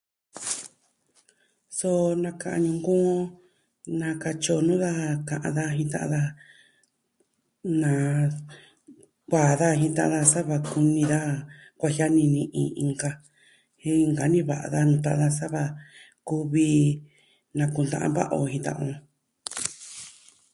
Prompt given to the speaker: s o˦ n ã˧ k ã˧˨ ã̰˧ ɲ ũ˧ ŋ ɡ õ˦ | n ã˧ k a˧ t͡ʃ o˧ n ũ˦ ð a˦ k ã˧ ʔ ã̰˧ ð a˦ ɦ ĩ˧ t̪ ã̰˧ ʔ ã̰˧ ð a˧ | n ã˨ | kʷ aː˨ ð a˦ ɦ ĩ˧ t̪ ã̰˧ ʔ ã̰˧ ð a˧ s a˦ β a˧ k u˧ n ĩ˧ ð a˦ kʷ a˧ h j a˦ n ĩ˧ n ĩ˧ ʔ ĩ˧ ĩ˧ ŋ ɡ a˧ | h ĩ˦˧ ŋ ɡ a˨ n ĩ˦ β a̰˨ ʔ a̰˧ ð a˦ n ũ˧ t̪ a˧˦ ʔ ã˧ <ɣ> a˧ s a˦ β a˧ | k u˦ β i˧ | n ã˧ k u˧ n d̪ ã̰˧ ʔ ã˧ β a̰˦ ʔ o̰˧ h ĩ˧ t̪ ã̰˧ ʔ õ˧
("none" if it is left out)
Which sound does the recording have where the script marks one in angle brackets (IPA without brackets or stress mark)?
ð